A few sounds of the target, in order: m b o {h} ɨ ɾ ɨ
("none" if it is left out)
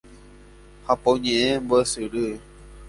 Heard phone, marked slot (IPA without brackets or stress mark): s